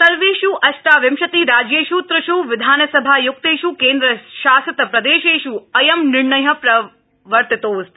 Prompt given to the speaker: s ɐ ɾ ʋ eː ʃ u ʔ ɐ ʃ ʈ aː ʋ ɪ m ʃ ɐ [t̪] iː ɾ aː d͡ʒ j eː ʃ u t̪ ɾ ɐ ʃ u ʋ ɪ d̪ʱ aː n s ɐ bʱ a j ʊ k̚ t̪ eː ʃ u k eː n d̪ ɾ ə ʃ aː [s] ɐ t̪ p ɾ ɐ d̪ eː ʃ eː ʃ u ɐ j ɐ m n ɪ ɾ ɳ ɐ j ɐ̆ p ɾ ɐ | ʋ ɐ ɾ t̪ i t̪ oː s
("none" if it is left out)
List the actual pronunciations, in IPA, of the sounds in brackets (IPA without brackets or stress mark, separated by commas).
t̪, s